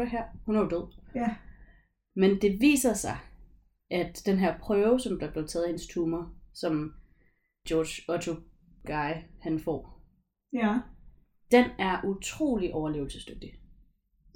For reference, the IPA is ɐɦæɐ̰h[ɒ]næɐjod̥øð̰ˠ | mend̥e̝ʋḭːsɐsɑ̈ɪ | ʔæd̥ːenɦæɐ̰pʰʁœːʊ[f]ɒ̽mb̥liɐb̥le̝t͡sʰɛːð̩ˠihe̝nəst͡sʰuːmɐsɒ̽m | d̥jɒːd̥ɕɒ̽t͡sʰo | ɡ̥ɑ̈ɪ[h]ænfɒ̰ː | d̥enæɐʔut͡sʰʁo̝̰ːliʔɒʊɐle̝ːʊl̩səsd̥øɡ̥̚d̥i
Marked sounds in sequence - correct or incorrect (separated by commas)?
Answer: incorrect, incorrect, correct